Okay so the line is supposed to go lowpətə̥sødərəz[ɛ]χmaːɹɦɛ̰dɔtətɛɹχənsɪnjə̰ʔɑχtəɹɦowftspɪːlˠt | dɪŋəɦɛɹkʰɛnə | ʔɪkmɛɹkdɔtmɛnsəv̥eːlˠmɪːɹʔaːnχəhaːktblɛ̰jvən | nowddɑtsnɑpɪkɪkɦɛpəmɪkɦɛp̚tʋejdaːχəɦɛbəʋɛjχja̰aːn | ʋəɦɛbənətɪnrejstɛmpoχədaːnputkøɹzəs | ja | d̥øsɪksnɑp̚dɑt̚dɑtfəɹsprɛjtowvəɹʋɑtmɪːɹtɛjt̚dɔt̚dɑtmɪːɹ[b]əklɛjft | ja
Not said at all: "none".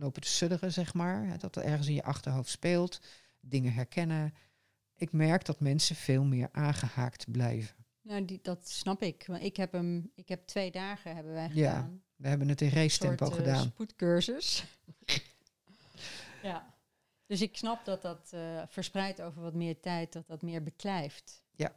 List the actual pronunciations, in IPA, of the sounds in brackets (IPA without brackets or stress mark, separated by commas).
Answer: ɛ, b